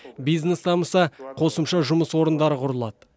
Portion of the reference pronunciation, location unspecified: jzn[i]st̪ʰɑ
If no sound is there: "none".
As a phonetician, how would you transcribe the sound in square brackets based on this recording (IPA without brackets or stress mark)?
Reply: e